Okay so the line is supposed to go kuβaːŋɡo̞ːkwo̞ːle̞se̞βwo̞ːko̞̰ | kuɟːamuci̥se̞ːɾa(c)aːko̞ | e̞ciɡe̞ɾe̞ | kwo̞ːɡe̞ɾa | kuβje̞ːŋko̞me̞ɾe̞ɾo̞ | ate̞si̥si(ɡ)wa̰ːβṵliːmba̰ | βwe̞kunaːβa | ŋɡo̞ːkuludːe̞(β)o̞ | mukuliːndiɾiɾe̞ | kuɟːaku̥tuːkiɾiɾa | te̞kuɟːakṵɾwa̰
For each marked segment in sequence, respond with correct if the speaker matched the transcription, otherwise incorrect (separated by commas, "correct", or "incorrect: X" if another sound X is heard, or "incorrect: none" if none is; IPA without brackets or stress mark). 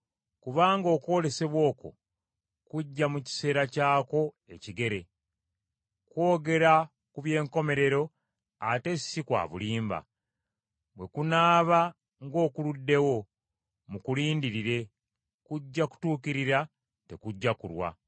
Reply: correct, incorrect: k, incorrect: w